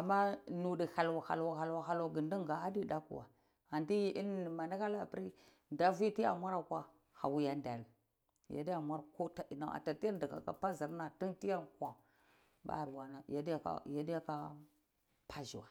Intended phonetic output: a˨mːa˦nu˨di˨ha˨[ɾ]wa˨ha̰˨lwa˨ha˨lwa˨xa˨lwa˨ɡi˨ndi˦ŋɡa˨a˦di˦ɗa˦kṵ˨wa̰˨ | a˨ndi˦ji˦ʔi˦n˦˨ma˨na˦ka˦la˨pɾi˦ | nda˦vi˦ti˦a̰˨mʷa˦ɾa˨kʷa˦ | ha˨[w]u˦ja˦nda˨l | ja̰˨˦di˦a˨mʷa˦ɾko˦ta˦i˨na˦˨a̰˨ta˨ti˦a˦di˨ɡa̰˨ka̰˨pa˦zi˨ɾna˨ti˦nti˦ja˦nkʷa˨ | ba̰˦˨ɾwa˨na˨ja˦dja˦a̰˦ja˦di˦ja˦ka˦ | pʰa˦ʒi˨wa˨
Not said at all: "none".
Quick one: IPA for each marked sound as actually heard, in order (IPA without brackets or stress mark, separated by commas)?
l, w